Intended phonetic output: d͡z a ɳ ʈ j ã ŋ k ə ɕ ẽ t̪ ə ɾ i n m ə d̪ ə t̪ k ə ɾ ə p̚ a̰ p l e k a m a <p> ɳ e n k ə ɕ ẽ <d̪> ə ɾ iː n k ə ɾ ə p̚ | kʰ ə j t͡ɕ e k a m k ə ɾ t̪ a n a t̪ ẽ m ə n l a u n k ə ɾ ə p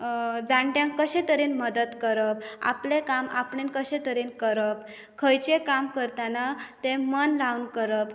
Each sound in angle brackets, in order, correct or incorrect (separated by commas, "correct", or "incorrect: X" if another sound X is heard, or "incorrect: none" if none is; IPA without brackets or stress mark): correct, incorrect: t̪